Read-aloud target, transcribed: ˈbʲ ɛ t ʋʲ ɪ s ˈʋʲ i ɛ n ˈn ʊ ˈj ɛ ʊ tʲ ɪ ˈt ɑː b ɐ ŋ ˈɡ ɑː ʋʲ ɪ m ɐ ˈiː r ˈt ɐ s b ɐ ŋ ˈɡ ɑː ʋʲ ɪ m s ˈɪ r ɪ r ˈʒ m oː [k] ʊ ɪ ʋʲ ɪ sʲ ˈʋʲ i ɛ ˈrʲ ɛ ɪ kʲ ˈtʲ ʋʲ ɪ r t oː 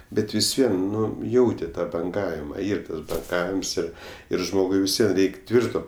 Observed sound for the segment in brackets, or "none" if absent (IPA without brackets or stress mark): ɡ